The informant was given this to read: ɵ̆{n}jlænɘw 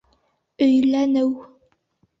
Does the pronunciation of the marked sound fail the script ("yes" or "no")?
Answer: yes